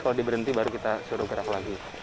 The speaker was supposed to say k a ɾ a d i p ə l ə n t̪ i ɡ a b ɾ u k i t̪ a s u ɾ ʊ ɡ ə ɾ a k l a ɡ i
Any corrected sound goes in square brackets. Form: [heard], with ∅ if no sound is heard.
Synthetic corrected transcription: k a [l] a d i [b] ə [ɾ] ə n t̪ i [b] a [∅] ɾ u k i t̪ a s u ɾ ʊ ɡ ə ɾ a k l a ɡ i